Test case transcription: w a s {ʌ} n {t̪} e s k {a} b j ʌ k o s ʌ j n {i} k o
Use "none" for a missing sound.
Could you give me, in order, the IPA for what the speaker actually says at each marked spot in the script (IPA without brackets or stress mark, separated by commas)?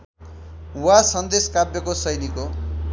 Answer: ʌ, d̪, a, i